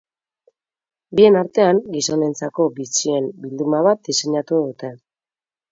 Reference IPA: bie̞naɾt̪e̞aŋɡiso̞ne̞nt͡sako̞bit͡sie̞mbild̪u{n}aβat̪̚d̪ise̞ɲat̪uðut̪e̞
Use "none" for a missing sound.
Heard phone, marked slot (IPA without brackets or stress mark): m